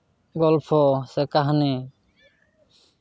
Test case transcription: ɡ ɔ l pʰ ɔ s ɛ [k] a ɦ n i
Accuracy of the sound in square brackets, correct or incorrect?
correct